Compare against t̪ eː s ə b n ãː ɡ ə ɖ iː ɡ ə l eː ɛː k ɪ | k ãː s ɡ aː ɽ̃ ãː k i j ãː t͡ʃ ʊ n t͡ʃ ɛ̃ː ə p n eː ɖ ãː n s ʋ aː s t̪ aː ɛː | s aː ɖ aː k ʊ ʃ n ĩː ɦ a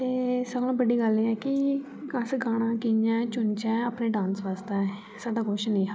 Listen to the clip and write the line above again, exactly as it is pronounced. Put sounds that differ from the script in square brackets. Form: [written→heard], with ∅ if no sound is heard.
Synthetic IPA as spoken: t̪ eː s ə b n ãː [ɡ→b] ə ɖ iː ɡ ə l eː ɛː k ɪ | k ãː s ɡ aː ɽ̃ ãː k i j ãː t͡ʃ ʊ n t͡ʃ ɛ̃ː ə p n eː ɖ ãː n s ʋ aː s t̪ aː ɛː | s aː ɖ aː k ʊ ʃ n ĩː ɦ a